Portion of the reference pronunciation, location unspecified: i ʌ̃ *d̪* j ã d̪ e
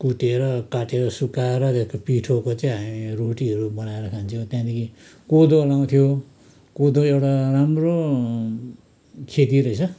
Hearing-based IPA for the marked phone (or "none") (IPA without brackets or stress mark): t̪